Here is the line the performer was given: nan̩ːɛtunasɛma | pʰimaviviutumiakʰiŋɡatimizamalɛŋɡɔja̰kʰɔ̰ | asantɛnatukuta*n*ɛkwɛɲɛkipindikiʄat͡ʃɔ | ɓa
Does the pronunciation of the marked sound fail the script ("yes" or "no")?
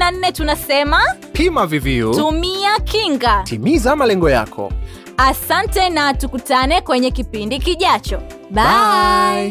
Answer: no